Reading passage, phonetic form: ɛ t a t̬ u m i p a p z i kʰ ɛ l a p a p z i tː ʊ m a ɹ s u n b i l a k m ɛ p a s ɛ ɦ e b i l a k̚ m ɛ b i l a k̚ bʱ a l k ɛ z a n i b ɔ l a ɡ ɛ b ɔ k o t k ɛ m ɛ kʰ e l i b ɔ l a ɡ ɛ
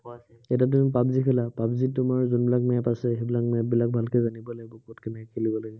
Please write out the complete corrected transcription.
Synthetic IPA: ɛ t a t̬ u m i p a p z i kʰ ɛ l a p a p z i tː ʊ m a ɹ z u n b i l a k m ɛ p a s ɛ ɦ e b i l a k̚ m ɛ b i l a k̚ bʱ a l k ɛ z a n i b ɔ l a ɡ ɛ b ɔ k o t k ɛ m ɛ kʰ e l i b ɔ l a ɡ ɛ